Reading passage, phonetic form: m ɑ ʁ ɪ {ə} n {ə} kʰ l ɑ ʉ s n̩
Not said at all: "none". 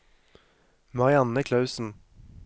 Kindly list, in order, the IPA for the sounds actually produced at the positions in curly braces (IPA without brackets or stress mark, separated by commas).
ɑ, ə